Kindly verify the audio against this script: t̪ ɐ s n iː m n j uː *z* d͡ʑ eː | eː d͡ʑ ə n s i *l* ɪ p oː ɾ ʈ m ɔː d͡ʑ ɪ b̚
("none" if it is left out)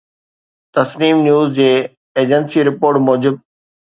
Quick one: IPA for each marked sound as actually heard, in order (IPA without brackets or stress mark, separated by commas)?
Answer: z, ɾ